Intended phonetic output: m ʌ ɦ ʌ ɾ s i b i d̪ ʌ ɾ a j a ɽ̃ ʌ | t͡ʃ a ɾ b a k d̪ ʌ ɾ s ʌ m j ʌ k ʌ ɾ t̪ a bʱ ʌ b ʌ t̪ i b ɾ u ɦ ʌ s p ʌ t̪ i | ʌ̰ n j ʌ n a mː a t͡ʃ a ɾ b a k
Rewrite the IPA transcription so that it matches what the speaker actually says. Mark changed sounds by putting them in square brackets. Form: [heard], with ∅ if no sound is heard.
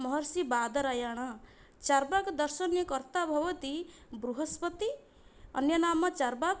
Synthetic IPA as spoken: m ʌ ɦ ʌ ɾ s i b [a] d̪ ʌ ɾ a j a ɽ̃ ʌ | t͡ʃ a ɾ b a k d̪ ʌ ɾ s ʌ [n] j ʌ k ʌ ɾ t̪ a bʱ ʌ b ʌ t̪ i b ɾ u ɦ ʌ s p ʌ t̪ i | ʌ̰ n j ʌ n a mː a t͡ʃ a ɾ b a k